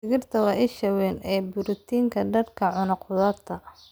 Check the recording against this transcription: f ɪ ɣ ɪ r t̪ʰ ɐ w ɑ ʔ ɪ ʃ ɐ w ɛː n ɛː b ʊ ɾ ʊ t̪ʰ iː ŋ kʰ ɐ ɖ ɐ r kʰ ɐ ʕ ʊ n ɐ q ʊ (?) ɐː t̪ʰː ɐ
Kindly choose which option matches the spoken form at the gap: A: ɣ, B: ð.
B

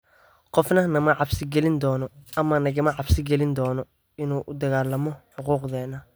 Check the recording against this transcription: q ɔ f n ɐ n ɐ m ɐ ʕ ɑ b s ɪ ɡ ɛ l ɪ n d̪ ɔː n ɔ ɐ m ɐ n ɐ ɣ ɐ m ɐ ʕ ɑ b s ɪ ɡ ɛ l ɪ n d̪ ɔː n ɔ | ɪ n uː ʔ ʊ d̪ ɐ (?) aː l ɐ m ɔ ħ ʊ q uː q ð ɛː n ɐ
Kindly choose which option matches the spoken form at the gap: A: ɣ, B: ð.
A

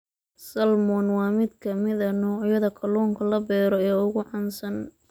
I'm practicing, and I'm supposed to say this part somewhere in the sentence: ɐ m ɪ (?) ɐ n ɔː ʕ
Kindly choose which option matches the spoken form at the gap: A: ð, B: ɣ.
A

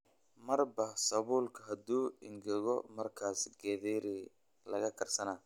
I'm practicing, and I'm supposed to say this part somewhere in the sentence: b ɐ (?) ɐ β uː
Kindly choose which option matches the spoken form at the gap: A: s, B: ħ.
A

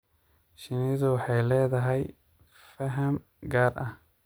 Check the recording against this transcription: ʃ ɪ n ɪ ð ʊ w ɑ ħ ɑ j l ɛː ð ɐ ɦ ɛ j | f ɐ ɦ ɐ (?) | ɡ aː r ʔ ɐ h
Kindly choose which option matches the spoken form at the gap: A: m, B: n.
A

